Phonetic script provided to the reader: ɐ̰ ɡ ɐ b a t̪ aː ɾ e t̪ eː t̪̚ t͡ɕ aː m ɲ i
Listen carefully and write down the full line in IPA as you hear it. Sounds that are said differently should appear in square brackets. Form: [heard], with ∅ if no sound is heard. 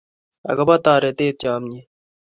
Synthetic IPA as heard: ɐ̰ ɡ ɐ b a t̪ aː ɾ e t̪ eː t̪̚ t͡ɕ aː m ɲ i